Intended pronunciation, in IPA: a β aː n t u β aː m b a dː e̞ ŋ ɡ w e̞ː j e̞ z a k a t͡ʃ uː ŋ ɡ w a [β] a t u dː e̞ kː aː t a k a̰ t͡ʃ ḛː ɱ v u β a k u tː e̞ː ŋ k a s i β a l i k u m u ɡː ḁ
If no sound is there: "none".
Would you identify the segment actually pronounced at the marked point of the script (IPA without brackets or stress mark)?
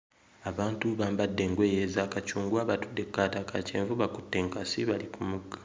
β